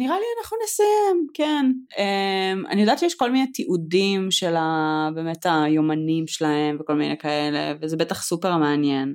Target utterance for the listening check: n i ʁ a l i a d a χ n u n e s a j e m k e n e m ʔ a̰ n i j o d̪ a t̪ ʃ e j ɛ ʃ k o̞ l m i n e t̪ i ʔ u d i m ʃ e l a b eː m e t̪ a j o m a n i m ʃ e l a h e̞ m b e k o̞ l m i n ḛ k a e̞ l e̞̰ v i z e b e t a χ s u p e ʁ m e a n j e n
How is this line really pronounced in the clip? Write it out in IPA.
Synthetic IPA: n i ʁ a l i a n a χ n u n e s a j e m k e n e m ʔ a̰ n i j o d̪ a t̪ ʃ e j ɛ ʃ k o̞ l m i n e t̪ i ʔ u d i m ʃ e l a b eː m e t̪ a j o m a n i m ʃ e l a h e̞ m v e k o̞ l m i n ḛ k a e̞ l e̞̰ v e z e b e t a χ s u p e ʁ m e a n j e n